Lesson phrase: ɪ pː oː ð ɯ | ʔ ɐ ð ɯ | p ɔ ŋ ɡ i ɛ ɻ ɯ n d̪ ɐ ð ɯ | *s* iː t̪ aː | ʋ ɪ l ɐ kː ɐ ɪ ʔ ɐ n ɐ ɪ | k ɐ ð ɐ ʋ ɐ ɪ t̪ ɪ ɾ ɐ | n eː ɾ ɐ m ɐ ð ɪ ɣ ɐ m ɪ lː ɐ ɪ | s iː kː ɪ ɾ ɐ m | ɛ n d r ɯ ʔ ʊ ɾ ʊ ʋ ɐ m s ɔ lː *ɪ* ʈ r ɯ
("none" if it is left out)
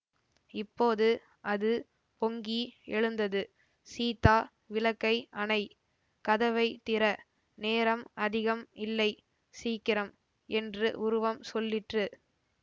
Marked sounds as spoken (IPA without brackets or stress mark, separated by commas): s, ɪ